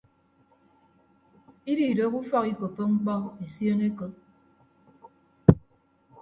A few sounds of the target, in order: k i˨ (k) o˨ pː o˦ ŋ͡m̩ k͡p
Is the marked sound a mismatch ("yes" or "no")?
no